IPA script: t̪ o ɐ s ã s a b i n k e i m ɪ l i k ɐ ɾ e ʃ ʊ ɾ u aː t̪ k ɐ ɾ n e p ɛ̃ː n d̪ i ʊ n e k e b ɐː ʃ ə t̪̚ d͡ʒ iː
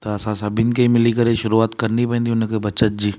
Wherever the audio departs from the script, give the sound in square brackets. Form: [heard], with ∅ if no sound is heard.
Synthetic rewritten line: t̪ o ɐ s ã s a b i n k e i m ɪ l i k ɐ ɾ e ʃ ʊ ɾ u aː t̪ k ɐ ɾ n [i] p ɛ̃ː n d̪ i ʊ n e k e b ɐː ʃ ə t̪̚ d͡ʒ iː